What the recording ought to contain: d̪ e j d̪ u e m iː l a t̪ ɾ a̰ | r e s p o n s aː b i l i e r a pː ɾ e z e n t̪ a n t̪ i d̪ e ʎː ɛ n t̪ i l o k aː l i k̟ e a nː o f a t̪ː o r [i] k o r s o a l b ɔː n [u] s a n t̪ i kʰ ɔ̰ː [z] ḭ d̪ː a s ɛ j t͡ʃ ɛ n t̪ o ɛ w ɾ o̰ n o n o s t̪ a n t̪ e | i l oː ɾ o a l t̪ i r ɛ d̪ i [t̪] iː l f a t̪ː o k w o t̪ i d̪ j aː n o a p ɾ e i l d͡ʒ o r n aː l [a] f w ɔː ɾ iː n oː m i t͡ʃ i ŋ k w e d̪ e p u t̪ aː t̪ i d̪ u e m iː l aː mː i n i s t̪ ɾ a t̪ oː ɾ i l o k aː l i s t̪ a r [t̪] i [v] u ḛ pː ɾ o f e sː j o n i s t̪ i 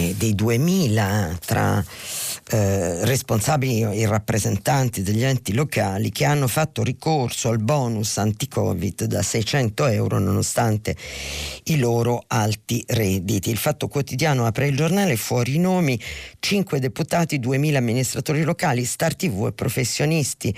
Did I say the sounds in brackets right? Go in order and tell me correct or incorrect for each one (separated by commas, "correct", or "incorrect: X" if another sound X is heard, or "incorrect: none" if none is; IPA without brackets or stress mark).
correct, correct, incorrect: v, correct, incorrect: e, correct, correct